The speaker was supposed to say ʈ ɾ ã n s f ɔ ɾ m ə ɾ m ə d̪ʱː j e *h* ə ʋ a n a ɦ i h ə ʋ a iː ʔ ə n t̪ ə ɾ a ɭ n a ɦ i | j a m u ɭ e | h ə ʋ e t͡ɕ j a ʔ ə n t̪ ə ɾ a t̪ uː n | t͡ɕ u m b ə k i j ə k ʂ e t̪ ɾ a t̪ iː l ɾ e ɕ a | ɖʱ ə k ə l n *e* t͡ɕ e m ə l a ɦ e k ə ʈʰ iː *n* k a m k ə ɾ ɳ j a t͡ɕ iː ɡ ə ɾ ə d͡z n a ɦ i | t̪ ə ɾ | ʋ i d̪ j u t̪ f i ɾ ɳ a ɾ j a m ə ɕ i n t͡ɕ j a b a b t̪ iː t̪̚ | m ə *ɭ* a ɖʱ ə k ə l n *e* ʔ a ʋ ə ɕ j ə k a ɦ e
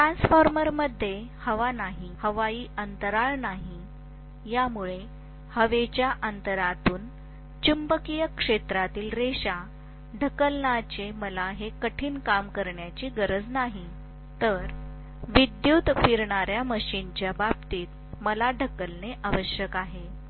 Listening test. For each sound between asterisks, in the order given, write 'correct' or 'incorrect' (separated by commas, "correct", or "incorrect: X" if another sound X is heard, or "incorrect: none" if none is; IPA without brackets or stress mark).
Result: correct, incorrect: a, correct, incorrect: l, correct